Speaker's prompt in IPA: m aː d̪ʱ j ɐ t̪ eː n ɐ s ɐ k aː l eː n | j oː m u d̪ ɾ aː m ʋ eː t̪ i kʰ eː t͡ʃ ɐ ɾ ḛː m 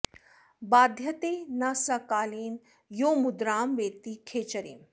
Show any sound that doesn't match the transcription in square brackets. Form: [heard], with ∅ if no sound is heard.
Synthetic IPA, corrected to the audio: [b] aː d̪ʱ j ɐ t̪ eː n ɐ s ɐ k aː l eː n | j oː m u d̪ ɾ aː m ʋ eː t̪ i kʰ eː t͡ʃ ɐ ɾ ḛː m

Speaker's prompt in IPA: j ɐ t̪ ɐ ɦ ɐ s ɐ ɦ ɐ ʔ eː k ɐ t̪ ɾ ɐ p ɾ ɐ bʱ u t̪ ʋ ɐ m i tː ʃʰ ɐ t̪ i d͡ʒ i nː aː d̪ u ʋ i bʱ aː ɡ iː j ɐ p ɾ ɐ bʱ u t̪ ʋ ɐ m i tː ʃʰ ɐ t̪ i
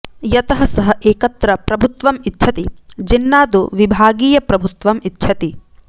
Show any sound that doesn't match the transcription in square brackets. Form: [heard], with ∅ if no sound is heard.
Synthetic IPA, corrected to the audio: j ɐ t̪ ɐ ɦ ɐ s ɐ ɦ ɐ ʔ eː k ɐ t̪ ɾ ɐ p ɾ ɐ bʱ u t̪ ʋ ɐ m i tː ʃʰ ɐ t̪ i d͡ʒ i nː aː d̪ u ʋ i bʱ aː ɡ iː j ɐ p ɾ ɐ bʱ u t̪ ʋ ɐ m i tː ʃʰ ɐ t̪ i

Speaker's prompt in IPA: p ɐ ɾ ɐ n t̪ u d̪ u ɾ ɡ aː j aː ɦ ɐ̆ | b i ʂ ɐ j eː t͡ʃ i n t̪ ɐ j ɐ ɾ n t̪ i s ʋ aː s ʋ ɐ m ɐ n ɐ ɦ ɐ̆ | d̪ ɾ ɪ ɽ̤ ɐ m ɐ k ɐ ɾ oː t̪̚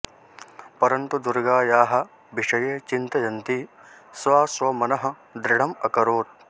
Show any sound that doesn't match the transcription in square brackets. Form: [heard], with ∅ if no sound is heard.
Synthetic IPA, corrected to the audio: p ɐ ɾ ɐ n t̪ u d̪ u ɾ ɡ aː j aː ɦ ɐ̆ | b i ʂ ɐ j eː t͡ʃ i n t̪ ɐ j ɐ [∅] n t̪ i s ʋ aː s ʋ ɐ m ɐ n ɐ ɦ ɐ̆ | d̪ ɾ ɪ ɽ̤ ɐ m ɐ k ɐ ɾ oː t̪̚

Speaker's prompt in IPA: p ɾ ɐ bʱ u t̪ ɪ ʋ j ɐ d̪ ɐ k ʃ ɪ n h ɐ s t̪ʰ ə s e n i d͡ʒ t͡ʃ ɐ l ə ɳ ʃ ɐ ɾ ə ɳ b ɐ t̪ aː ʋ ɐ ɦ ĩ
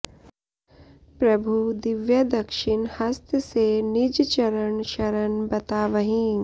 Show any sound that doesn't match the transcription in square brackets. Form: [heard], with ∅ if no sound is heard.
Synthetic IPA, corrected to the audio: p ɾ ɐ bʱ u [d̪] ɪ ʋ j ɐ d̪ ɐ k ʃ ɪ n h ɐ s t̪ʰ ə s e n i d͡ʒ t͡ʃ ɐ [ɾ] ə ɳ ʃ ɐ ɾ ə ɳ b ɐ t̪ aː ʋ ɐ ɦ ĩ

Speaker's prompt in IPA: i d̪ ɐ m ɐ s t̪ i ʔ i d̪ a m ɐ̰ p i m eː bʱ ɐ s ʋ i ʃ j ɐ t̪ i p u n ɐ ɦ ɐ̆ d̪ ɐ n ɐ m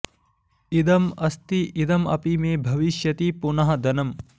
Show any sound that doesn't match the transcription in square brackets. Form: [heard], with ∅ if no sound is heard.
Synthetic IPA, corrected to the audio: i d̪ ɐ m ɐ s t̪ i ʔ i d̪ [ɐ] m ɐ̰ p i m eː bʱ ɐ [∅] ʋ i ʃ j ɐ t̪ i p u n ɐ ɦ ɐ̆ d̪ ɐ n ɐ m

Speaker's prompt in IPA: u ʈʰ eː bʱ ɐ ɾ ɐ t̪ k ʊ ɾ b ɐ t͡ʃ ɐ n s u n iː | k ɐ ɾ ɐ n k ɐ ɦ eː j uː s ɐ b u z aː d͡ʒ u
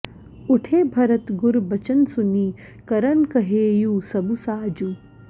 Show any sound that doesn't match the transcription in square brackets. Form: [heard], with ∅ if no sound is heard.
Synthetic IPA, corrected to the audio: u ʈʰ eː bʱ ɐ ɾ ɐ t̪ [ɡ] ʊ ɾ b ɐ t͡ʃ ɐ n s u n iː | k ɐ ɾ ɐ n k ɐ ɦ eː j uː s ɐ b u [s] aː d͡ʒ u

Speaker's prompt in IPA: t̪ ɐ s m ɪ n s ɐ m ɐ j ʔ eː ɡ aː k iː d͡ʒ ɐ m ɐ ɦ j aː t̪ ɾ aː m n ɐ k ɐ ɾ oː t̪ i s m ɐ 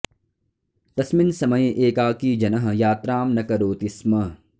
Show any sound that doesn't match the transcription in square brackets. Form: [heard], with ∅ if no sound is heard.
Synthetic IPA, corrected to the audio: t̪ ɐ s m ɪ n s ɐ m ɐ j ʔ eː [k] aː k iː d͡ʒ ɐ [n] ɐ ɦ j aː t̪ ɾ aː m n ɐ k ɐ ɾ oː t̪ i s m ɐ

